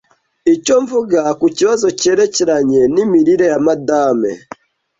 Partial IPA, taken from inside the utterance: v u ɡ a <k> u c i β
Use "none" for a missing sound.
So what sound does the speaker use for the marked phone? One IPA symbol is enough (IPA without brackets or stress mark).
k